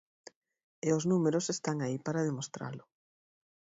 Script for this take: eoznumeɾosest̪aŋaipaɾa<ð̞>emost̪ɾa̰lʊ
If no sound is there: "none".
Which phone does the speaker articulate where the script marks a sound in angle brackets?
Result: ð̞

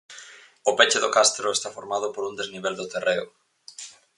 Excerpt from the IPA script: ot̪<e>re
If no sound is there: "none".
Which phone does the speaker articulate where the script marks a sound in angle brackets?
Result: e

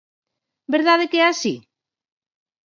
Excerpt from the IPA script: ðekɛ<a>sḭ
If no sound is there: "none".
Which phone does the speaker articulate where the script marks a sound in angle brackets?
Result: a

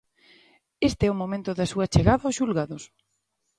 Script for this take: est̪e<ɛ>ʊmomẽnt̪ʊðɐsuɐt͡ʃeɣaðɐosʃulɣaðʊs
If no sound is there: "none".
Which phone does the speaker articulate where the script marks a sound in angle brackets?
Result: ɛ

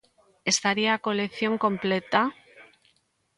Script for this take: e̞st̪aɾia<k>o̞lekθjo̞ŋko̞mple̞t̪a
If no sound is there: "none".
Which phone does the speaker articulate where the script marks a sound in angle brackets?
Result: k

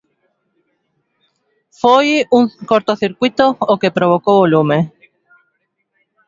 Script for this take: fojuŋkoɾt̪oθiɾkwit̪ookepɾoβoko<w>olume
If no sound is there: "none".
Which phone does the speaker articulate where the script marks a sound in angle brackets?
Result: β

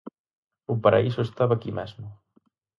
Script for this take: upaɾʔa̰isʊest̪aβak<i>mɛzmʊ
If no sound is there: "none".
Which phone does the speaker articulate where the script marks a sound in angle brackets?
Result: i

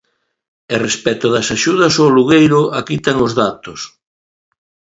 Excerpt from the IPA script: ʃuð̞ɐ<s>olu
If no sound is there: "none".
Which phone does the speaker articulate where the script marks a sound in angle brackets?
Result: s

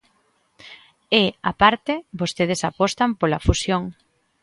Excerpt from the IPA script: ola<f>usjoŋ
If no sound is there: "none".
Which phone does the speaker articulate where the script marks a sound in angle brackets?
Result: f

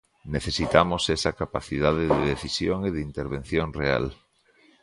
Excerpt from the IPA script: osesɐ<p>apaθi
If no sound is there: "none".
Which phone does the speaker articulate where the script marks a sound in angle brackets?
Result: k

